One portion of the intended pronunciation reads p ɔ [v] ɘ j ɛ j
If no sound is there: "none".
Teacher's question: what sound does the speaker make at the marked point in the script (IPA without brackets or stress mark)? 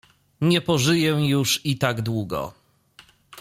ʐ